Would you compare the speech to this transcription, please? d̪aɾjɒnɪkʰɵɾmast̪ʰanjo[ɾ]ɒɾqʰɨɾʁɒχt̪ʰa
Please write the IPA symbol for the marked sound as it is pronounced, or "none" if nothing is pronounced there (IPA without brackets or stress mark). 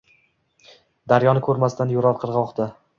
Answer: ɾ